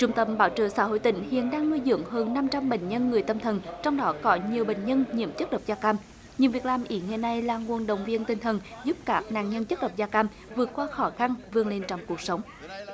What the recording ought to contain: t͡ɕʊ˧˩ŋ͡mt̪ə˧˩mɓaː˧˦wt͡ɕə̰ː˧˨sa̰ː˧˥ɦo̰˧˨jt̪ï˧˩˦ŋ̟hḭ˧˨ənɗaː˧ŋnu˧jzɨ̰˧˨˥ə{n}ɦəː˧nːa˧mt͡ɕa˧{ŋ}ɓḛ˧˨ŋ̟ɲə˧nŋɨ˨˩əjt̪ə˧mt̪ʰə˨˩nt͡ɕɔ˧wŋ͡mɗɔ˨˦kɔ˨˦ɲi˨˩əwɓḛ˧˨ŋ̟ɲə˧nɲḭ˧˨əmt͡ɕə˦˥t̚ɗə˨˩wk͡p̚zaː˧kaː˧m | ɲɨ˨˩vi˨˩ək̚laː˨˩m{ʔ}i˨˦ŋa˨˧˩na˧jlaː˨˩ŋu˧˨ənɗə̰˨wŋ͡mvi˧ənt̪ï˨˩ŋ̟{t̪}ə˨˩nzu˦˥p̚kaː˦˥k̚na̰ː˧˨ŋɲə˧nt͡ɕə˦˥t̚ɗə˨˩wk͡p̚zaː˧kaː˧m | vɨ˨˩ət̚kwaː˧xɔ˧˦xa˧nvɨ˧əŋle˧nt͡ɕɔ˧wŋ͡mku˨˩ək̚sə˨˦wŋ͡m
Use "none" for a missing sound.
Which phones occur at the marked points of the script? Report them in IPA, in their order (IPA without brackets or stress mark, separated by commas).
ŋ, m, ʔ, t̪ʰ